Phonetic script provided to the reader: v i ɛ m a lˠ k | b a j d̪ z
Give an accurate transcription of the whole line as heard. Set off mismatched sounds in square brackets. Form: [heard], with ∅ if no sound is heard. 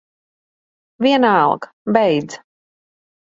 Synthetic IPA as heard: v i ɛ [n] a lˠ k | b [ɛ] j d̪ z